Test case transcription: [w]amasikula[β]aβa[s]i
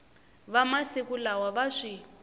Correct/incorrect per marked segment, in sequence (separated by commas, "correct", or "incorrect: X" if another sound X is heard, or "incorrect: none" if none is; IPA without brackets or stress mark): incorrect: β, incorrect: w, incorrect: ʂ